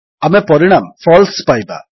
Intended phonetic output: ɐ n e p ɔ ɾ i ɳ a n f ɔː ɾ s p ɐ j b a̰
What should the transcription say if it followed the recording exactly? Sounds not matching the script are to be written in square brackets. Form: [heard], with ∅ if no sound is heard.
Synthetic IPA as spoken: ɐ [m] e p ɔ ɾ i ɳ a [m] f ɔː [l] s p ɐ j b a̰